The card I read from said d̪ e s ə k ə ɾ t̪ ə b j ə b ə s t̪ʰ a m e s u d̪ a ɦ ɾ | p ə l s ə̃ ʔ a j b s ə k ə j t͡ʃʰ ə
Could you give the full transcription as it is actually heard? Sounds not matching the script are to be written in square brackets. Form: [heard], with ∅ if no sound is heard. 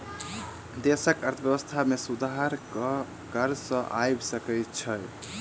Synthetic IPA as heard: d̪ e s ə k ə ɾ [t̪ʰ] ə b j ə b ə s t̪ʰ a m e s u d̪ a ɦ ɾ | [k] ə [ɾ] s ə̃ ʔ a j b s ə k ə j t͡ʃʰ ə